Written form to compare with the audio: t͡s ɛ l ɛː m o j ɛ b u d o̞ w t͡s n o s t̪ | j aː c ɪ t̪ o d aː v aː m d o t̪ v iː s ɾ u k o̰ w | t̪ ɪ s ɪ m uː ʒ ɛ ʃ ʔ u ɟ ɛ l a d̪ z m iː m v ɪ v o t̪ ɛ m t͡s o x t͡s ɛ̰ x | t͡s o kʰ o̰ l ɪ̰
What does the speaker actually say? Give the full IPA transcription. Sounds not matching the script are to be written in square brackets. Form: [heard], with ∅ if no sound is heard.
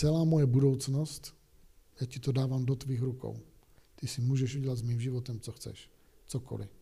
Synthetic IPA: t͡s ɛ l [aː] m o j ɛ b u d o̞ w t͡s n o s t̪ | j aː c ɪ t̪ o d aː v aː m d o t̪ v iː [x] ɾ u k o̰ w | t̪ ɪ s ɪ m uː ʒ ɛ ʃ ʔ u ɟ ɛ l a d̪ z m iː m [ʒ] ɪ v o t̪ ɛ m t͡s o x t͡s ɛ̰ [ʃ] | t͡s o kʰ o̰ l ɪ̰